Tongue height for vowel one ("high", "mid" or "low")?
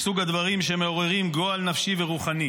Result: high